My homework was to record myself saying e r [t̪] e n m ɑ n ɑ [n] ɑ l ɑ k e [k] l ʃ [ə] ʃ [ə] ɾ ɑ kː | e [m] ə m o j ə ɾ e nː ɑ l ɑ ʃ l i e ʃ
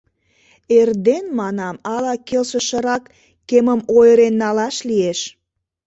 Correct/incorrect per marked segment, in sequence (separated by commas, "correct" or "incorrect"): incorrect, incorrect, incorrect, correct, correct, correct